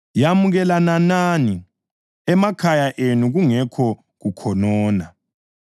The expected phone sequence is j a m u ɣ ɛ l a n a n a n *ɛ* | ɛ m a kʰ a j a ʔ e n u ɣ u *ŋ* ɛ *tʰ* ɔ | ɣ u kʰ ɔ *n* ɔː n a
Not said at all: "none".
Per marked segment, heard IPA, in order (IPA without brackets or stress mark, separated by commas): i, ŋ, kʰ, n